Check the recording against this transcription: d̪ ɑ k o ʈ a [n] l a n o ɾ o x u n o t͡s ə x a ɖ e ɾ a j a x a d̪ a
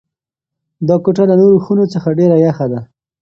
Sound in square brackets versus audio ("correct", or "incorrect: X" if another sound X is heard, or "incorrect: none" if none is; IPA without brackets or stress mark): incorrect: none